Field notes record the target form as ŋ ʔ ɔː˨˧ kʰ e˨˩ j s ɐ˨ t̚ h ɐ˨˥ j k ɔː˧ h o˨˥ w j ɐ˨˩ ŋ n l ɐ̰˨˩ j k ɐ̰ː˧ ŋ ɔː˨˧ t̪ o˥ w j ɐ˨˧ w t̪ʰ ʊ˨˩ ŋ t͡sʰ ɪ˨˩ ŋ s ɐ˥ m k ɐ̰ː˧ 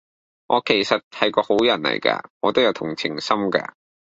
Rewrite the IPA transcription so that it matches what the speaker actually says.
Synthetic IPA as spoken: ŋ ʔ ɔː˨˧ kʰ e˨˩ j s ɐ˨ t̚ h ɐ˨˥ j k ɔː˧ h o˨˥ w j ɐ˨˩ n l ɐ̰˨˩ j k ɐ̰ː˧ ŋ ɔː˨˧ t̪ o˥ w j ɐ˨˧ w t̪ʰ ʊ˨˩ ŋ t͡sʰ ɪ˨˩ ŋ s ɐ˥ m k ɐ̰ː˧